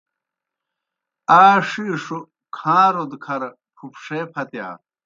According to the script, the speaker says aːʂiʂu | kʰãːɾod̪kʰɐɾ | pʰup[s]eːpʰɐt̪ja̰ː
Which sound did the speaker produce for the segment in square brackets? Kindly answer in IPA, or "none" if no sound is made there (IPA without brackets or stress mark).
ʂ